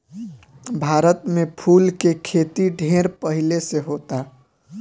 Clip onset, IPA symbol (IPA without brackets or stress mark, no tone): bʱ